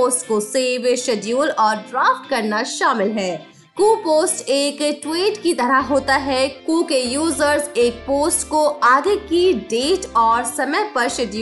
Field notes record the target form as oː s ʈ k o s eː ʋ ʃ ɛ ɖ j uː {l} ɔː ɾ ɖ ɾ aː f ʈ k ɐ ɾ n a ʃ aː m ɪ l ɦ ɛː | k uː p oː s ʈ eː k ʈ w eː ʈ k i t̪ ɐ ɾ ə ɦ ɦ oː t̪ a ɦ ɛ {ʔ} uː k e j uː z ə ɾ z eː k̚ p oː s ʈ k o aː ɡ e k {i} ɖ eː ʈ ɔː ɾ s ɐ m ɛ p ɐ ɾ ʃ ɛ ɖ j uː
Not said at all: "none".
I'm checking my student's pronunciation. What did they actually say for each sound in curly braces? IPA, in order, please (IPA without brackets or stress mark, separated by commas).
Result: l, k, i